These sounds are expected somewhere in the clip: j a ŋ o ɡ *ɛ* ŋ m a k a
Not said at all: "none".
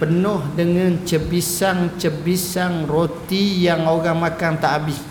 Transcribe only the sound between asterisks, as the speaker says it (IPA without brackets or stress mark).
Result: a